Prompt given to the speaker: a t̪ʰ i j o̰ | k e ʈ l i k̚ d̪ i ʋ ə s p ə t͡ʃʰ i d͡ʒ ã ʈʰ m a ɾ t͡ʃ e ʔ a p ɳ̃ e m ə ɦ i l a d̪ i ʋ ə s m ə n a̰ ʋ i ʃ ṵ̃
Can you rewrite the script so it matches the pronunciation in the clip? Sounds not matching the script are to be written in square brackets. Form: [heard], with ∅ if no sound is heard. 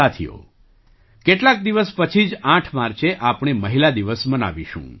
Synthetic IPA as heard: a t̪ʰ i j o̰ | k e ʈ l [a] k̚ d̪ i ʋ ə s p ə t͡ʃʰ i d͡ʒ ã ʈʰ m a ɾ t͡ʃ e ʔ a p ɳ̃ e m ə ɦ i l a d̪ i ʋ ə s m ə n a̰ ʋ i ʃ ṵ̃